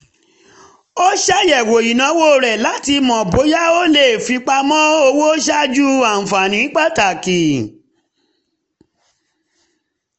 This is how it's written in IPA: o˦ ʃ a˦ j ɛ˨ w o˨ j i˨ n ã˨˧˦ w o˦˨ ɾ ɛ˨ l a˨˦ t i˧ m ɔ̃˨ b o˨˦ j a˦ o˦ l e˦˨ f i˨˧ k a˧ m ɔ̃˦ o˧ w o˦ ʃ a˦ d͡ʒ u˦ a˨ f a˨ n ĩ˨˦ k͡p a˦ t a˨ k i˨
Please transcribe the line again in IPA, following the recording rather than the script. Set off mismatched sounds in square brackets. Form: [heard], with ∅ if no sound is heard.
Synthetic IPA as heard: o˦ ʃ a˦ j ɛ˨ w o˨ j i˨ n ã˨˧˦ w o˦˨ ɾ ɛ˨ l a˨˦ t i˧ m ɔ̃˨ b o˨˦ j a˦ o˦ l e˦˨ f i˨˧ [k͡p] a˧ m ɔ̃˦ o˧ w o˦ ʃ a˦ d͡ʒ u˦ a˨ f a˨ n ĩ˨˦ k͡p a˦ t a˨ k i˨